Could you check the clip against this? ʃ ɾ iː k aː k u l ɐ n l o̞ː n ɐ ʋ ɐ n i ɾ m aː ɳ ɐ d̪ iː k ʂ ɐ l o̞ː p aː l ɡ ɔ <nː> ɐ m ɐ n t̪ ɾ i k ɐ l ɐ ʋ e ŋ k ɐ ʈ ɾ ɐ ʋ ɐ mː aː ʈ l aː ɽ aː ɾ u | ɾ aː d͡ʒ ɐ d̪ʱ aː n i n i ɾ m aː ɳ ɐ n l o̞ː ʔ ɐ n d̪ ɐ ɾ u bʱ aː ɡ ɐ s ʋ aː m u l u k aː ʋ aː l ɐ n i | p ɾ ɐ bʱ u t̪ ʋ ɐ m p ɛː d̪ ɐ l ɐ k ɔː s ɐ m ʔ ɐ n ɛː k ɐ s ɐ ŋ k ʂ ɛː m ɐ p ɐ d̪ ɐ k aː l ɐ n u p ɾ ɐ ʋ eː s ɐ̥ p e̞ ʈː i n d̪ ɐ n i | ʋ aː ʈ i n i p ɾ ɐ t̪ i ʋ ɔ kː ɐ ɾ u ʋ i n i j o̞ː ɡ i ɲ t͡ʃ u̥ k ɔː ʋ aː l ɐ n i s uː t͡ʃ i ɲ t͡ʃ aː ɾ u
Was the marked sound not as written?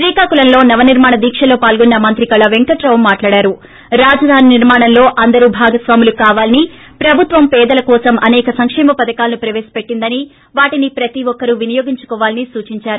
no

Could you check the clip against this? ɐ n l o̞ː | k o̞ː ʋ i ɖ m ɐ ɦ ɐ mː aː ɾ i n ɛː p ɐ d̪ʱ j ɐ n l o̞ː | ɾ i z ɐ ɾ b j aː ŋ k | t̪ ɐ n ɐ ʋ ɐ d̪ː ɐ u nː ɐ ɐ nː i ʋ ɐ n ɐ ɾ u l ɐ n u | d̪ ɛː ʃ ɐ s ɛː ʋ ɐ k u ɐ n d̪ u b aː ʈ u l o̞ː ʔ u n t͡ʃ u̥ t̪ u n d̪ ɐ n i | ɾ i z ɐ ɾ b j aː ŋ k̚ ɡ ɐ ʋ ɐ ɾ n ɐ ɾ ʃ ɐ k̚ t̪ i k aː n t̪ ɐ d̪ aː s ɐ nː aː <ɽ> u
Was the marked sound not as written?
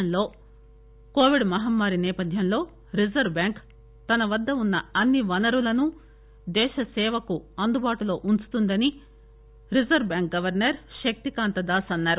yes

